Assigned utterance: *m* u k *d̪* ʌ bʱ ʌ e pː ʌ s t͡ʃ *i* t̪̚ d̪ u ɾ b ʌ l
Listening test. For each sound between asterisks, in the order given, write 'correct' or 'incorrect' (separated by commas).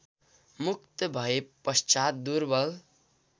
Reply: correct, incorrect, incorrect